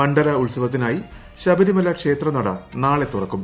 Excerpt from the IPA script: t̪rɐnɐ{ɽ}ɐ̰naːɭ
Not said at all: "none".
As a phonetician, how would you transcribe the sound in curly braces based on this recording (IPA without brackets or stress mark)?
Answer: ɽ